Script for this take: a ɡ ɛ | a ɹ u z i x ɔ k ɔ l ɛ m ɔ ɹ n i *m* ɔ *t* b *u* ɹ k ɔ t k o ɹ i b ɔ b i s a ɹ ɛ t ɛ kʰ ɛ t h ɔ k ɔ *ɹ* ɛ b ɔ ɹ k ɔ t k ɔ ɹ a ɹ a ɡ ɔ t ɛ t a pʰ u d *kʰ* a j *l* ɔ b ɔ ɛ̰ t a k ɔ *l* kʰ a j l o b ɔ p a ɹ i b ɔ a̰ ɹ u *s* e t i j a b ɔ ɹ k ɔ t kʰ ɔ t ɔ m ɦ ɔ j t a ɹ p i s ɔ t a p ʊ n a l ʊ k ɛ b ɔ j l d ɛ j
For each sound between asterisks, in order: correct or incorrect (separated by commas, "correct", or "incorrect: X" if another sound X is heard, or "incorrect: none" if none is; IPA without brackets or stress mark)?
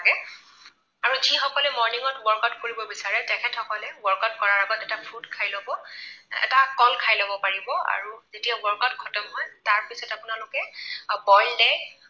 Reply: incorrect: ŋ, correct, incorrect: ɔ, incorrect: l, correct, correct, correct, incorrect: z